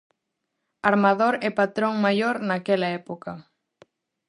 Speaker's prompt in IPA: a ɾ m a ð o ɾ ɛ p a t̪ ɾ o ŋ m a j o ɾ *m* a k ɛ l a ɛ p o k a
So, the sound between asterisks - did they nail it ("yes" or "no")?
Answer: no